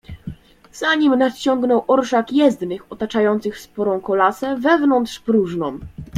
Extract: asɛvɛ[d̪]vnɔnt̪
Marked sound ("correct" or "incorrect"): incorrect